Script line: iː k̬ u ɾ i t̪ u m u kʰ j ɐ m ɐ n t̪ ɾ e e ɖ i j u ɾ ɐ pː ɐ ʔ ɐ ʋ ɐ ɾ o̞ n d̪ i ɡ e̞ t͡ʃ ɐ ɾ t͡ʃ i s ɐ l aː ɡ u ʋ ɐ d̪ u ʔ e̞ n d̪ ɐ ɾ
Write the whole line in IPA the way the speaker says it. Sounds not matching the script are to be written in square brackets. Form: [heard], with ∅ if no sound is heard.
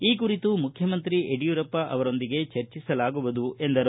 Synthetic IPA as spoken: iː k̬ u ɾ i t̪ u m u kʰ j ɐ m ɐ n t̪ ɾ [i] e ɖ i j u ɾ ɐ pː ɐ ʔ ɐ ʋ ɐ ɾ o̞ n d̪ i ɡ e̞ t͡ʃ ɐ ɾ t͡ʃ i s ɐ l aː ɡ u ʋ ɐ d̪ u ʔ e̞ n d̪ ɐ ɾ